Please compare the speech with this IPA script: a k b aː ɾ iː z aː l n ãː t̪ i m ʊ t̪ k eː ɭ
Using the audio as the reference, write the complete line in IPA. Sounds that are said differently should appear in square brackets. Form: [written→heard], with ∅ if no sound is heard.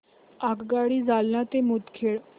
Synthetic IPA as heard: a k [b→ɡ] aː [ɾ→ɽ] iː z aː l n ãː t̪ [i→e] m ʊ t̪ [k→kʰ] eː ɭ